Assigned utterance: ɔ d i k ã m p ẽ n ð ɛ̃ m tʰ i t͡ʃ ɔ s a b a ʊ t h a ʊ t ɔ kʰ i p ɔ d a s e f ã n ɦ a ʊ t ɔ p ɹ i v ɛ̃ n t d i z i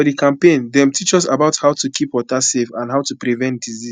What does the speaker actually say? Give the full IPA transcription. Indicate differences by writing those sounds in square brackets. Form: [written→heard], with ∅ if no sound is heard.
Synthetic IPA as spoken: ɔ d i k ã m p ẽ n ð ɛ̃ m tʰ i t͡ʃ ɔ s a b a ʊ t h a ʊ t [ɔ→u] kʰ i p ɔ [d→t] a s e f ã n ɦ a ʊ t [ɔ→u] p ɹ i v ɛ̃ n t d i z i